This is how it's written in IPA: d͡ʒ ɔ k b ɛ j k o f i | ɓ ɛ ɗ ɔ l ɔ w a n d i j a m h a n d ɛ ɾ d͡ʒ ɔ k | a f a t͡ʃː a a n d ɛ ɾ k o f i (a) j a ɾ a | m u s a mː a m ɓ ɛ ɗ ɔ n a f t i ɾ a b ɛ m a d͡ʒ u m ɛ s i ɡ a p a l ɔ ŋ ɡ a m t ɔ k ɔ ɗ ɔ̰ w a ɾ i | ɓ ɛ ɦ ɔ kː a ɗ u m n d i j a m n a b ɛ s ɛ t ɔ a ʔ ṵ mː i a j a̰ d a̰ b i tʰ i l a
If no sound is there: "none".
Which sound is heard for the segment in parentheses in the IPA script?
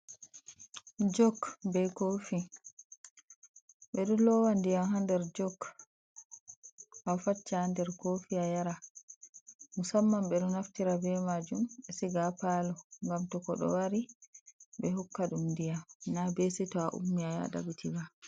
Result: a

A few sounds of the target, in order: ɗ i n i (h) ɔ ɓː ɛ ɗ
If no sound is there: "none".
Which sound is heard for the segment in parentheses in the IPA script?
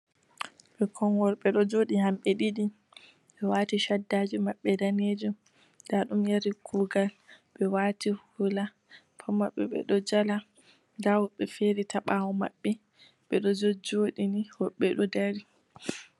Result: h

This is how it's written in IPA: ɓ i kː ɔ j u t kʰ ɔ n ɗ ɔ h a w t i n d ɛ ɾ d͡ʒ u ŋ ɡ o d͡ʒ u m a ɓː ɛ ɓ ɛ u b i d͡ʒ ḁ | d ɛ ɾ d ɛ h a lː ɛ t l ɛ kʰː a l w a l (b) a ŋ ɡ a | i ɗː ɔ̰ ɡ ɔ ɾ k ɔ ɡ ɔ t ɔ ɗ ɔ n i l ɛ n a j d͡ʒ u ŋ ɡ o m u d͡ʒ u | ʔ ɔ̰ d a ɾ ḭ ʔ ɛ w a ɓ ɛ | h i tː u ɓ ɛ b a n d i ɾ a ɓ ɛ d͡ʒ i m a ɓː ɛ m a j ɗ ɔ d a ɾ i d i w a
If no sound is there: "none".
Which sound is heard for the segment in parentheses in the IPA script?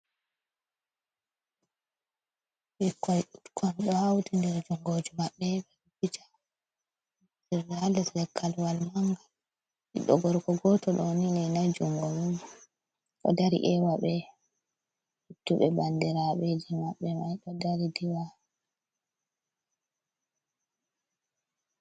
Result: m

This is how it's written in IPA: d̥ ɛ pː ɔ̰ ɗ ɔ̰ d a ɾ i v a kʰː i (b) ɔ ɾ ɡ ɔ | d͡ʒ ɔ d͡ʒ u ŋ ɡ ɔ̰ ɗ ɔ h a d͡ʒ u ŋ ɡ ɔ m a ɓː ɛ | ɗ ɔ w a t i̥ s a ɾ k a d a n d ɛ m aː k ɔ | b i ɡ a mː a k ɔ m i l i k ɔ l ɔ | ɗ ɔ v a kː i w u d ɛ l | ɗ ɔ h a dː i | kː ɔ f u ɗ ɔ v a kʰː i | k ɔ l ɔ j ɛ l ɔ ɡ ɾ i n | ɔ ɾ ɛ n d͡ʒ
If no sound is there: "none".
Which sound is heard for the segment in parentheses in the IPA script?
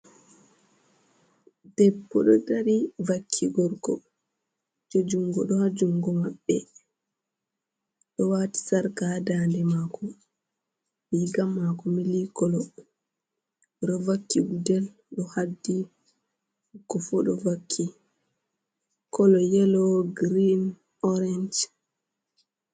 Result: ɡ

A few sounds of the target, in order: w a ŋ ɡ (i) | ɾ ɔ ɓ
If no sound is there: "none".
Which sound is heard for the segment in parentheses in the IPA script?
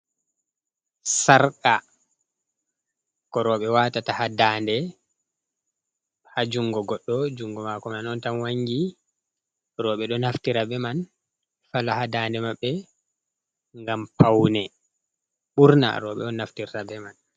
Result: i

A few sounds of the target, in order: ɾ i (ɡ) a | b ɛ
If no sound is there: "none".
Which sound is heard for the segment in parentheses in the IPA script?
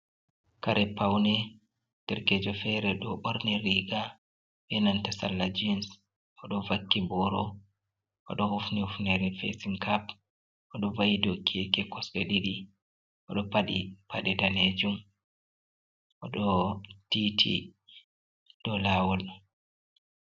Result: ɡ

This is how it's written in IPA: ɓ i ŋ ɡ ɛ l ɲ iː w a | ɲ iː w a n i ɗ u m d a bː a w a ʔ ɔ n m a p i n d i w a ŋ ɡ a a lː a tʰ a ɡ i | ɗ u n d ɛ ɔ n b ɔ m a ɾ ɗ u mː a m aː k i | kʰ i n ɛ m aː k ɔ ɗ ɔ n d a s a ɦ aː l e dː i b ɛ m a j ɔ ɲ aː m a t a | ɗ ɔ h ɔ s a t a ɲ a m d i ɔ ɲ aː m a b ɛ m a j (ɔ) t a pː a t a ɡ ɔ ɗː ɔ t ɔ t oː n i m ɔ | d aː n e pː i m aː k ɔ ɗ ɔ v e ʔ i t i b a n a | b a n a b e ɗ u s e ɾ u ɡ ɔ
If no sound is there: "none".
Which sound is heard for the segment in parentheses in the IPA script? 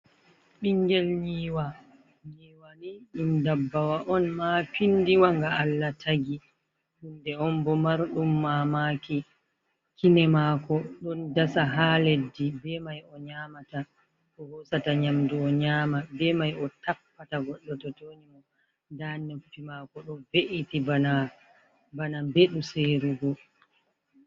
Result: ɔ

